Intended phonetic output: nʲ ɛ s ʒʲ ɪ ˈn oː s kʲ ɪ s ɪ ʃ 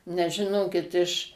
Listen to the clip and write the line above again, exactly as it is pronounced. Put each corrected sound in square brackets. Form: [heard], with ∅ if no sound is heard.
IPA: nʲ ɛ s ʒʲ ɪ ˈn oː [∅] kʲ ɪ [t] ɪ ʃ

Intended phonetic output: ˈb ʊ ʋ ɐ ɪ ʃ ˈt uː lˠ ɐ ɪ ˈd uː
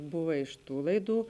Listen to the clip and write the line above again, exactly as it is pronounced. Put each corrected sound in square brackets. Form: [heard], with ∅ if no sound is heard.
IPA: ˈb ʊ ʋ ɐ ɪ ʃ ˈt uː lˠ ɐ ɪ ˈd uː

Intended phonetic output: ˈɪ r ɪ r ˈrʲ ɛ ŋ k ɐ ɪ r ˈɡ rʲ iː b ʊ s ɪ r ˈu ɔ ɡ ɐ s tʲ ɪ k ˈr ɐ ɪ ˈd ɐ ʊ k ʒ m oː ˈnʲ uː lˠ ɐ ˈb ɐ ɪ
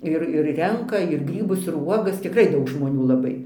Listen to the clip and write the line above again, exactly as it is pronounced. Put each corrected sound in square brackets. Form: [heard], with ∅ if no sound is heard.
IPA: ˈɪ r ɪ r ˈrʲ ɛ ŋ k ɐ ɪ r ˈɡ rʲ iː b ʊ s ɪ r ˈu ɔ ɡ ɐ s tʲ ɪ k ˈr ɐ ɪ ˈd ɐ ʊ k ʒ m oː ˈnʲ uː lˠ ɐ ˈb ɐ ɪ

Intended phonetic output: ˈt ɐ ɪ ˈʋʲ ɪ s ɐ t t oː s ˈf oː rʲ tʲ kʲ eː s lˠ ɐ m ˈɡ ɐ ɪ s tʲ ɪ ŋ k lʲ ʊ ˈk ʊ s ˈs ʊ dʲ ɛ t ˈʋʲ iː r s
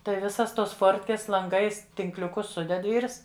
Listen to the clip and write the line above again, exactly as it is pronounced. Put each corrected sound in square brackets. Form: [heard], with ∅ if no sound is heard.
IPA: ˈt ɐ ɪ ˈʋʲ ɪ s ɐ [s] t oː s ˈf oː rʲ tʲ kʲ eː s lˠ ɐ [ŋ] ˈɡ ɐ ɪ s tʲ ɪ ŋ k lʲ ʊ ˈk ʊ s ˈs ʊ dʲ ɛ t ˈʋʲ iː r s

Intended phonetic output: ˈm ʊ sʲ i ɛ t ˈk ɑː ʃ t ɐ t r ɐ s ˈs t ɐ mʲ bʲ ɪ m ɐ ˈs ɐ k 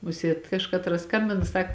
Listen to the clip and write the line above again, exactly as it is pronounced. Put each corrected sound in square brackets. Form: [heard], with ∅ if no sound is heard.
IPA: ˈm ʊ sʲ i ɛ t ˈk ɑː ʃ [k] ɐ t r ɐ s ˈs [k] ɐ mʲ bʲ ɪ [n] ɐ ˈs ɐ k

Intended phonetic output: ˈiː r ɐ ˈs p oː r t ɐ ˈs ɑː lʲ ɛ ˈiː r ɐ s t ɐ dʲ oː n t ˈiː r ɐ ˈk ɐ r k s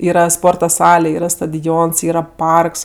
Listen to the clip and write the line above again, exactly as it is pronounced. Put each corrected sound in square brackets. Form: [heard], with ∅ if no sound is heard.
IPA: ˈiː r ɐ ˈs p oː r t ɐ ˈs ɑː lʲ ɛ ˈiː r ɐ s t ɐ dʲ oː n [s] ˈiː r ɐ [ˈp] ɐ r k s

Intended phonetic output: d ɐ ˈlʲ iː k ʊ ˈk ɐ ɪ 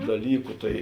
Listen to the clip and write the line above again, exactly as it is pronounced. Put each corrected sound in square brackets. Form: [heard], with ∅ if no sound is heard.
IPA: d ɐ ˈlʲ iː k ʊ [ˈt] ɐ ɪ

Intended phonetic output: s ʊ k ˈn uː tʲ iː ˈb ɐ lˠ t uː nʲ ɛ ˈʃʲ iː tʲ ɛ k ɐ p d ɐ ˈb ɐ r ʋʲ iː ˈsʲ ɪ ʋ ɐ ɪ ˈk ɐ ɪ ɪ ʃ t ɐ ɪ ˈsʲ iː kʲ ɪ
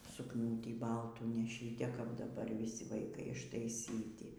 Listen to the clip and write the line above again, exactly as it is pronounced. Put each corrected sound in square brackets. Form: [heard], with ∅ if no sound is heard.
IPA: s ʊ k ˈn uː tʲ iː ˈb ɐ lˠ t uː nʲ ɛ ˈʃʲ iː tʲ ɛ k ɐ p d ɐ ˈb ɐ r ʋʲ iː ˈsʲ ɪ ʋ ɐ ɪ ˈk ɐ ɪ ɪ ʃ t ɐ ɪ ˈsʲ iː [tʲ] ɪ

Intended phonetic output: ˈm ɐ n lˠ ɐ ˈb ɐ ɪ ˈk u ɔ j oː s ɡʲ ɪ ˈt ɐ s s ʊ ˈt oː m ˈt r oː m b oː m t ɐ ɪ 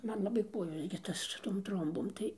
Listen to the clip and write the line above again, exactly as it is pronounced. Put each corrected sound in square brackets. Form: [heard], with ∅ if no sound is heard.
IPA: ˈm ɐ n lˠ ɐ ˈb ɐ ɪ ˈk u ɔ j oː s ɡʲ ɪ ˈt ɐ s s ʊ ˈt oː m ˈt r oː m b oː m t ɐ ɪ

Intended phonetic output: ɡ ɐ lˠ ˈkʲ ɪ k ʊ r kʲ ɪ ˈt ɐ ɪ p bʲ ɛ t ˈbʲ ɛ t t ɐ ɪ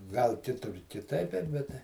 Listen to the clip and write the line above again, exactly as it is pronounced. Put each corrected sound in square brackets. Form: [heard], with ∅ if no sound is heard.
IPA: ɡ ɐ lˠ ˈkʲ ɪ [t] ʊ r kʲ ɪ ˈt ɐ ɪ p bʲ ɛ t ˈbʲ ɛ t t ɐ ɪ

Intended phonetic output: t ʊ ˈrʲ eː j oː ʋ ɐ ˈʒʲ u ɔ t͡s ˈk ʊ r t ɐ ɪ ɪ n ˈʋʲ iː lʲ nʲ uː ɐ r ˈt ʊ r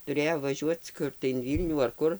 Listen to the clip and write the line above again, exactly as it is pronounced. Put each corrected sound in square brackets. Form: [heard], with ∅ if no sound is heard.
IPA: t ʊ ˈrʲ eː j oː ʋ ɐ ˈʒʲ u ɔ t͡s ˈk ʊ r t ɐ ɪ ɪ n ˈʋʲ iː lʲ nʲ uː ɐ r [ˈk] ʊ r

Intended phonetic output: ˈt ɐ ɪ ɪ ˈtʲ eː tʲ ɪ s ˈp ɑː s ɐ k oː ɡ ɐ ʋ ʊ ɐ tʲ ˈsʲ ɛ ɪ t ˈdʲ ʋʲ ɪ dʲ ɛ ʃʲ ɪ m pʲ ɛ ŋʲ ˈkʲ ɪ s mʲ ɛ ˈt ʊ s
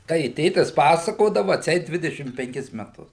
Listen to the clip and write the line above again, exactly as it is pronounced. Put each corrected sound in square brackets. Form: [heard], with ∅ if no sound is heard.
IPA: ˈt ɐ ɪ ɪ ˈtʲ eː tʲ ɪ s ˈp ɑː s ɐ k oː [d] ɐ ʋ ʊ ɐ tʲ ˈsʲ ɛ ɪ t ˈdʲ ʋʲ ɪ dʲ ɛ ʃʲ ɪ m pʲ ɛ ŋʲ ˈkʲ ɪ s mʲ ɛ ˈt ʊ s

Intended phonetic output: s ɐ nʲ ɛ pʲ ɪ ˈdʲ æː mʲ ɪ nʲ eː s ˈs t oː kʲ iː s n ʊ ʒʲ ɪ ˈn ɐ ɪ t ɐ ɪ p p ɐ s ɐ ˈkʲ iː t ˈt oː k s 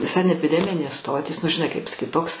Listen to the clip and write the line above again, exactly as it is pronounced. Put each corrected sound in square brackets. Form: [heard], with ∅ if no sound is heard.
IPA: s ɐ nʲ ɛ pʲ ɪ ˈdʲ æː mʲ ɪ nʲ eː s ˈs t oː [tʲ] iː s n ʊ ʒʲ ɪ ˈn ɐ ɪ [k] ɐ ɪ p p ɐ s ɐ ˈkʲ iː t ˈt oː k s

